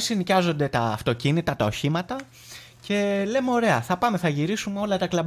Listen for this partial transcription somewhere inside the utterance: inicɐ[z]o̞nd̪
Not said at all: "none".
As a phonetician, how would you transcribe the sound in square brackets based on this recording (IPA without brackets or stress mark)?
z